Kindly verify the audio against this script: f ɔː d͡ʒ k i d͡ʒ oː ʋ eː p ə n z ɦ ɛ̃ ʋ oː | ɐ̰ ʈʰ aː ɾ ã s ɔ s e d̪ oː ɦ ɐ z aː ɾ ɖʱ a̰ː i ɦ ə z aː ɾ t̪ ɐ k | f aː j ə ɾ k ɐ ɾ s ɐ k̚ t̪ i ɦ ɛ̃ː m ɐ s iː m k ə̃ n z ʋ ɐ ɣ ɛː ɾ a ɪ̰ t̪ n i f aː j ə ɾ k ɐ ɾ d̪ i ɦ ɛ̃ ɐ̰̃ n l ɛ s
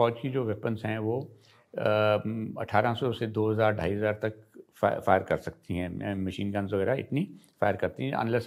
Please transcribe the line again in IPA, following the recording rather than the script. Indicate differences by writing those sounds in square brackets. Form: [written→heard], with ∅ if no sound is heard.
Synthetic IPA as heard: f ɔː d͡ʒ k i d͡ʒ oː ʋ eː p ə n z ɦ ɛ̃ ʋ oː | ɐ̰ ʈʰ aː ɾ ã s ɔ s e d̪ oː ɦ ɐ z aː ɾ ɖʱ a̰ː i ɦ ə z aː ɾ t̪ ɐ k | f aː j ə ɾ k ɐ ɾ s ɐ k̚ t̪ i ɦ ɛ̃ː m ɐ [s→ʃ] iː [m→n] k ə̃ n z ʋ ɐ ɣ ɛː ɾ a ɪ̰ t̪ n i f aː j ə ɾ k ɐ ɾ [d̪→t̪] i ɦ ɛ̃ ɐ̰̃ n l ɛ s